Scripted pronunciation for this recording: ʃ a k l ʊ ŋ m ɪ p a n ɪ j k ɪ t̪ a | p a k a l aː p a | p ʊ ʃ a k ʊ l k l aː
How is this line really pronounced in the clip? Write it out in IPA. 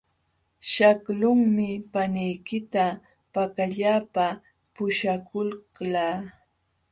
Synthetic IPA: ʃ a k l ʊ ŋ m ɪ p a n ɪ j k ɪ t̪ a | p a k a ʎ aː p a | p ʊ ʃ a k ʊ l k l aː

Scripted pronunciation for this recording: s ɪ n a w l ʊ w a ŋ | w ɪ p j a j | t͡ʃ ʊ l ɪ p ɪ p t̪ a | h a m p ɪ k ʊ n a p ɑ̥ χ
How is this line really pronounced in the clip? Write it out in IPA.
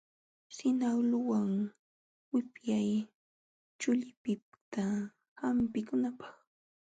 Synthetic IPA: s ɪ n a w l ʊ w a ŋ | w ɪ p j a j | t͡ʃ ʊ ʎ ɪ p ɪ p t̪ a | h a m p ɪ k ʊ n a p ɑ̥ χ

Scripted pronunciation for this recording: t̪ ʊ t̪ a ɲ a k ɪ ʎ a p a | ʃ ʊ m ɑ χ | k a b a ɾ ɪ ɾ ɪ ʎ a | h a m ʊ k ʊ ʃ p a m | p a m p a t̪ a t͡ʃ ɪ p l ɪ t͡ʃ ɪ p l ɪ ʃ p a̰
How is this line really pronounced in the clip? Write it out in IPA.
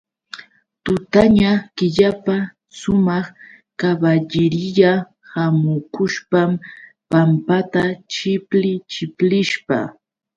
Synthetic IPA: t̪ ʊ t̪ a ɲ a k ɪ ʎ a p a | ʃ ʊ m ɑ χ | k a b a ʎ ɪ ɾ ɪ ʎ a | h a m ʊ k ʊ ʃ p a m | p a m p a t̪ a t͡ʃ ɪ p l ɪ t͡ʃ ɪ p l ɪ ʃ p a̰

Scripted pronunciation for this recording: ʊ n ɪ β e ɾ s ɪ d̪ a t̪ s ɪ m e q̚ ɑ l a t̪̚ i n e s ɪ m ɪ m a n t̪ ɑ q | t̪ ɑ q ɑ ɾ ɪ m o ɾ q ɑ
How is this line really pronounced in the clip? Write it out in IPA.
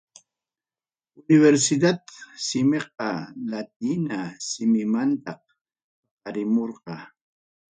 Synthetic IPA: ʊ n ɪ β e ɾ s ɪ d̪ a t̪ s ɪ m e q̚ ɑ l a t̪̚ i n a s ɪ m ɪ m a n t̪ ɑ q | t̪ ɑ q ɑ ɾ ɪ m o ɾ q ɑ

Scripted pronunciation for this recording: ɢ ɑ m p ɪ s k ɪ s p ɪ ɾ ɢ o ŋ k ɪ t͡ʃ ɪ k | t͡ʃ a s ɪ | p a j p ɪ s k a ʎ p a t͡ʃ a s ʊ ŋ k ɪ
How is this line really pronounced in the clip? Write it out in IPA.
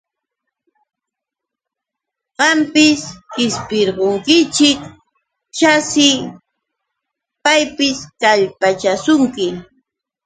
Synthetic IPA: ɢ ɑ m p ɪ s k ɪ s p ɪ ɾ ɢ o ŋ k ɪ t͡ʃ ɪ k | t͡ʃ a s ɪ | p a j p ɪ s k a ʎ p a t͡ʃ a s ʊ ŋ k ɪ

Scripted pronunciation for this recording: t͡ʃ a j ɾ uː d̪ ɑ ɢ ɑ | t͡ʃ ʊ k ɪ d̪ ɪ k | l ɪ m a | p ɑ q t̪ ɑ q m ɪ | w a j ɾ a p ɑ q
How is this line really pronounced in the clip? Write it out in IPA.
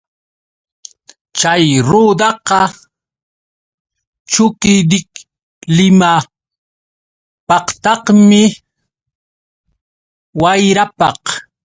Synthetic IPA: t͡ʃ a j ɾ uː d̪ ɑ q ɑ | t͡ʃ ʊ k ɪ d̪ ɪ k | l ɪ m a | p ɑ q t̪ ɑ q m ɪ | w a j ɾ a p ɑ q

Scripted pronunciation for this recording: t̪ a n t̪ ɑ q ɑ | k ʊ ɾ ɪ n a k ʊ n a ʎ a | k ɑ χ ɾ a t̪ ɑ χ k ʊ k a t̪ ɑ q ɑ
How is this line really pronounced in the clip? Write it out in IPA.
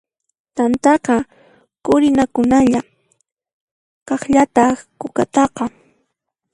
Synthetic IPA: t̪ a n t̪ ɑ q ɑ | k ʊ ɾ ɪ n a k ʊ n a ʎ a | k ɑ χ ʎ a t̪ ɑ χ k ʊ k a t̪ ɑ q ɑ

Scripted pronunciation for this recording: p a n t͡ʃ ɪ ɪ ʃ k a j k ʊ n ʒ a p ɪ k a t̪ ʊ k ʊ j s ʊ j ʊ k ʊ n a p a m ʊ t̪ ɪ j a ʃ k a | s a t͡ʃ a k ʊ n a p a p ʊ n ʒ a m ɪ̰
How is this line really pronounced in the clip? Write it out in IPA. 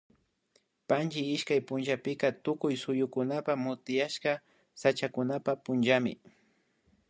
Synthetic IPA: p a n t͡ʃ ɪ ɪ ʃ k a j p ʊ n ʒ a p ɪ k a t̪ ʊ k ʊ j s ʊ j ʊ k ʊ n a p a m ʊ t̪ ɪ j a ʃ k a | s a t͡ʃ a k ʊ n a p a p ʊ n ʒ a m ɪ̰

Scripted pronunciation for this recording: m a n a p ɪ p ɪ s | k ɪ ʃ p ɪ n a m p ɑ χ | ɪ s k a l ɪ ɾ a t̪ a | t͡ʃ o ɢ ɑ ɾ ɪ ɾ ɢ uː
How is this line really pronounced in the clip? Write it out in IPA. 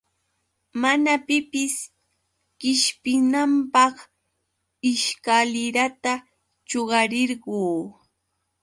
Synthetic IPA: m a n a p ɪ p ɪ s | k ɪ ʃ p ɪ n a m p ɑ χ | ɪ ʃ k a l ɪ ɾ a t̪ a | t͡ʃ o ɢ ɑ ɾ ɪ ɾ ɢ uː

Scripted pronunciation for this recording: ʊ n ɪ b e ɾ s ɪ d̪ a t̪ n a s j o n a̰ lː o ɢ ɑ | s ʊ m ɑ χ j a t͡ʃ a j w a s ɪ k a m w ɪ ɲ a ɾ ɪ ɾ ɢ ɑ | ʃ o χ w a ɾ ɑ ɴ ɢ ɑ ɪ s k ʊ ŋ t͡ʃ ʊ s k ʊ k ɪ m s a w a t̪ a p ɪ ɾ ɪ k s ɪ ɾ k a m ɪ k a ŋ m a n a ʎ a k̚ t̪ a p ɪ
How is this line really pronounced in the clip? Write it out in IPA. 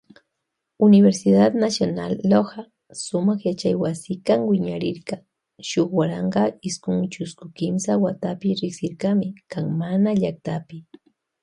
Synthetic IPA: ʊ n ɪ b e ɾ s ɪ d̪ a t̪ n a s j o n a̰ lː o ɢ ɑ | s ʊ m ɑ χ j a t͡ʃ a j w a s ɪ k a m w ɪ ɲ a ɾ ɪ ɾ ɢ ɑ | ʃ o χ w a ɾ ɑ ɴ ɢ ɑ ɪ s k ʊ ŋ t͡ʃ ʊ s k ʊ k ɪ m s a w a t̪ a p ɪ ɾ ɪ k s ɪ ɾ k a m ɪ k a ŋ m a n a ʎ a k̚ t̪ a p ɪ

